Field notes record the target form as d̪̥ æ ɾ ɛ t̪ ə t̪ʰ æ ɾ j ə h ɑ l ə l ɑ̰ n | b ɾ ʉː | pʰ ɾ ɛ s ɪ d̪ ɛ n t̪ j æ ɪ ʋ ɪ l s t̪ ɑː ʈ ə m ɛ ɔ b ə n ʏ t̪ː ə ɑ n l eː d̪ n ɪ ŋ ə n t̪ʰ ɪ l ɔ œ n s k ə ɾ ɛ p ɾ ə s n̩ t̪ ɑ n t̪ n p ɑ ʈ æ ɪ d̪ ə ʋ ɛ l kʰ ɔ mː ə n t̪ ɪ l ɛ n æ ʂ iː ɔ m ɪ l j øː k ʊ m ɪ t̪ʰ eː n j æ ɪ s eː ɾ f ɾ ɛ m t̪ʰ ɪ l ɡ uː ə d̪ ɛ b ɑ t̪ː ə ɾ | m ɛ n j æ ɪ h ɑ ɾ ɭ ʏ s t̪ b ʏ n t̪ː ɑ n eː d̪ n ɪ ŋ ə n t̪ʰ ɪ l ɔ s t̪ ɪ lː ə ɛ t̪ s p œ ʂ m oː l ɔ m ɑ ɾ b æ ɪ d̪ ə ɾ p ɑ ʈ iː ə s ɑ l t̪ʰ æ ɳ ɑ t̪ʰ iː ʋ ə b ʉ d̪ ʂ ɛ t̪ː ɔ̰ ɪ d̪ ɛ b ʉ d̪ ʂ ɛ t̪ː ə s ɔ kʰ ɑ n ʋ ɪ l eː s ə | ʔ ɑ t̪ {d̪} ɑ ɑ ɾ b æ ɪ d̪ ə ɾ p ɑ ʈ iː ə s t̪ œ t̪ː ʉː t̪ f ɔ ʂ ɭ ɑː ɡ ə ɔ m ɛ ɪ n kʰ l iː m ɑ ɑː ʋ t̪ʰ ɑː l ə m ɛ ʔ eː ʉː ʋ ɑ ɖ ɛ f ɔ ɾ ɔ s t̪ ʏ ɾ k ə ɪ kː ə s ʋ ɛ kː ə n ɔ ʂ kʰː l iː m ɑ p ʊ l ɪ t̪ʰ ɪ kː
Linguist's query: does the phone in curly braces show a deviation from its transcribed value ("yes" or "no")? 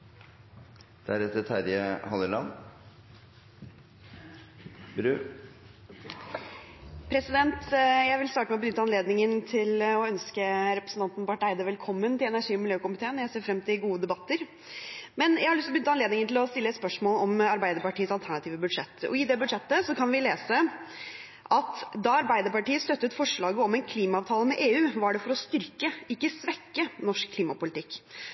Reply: no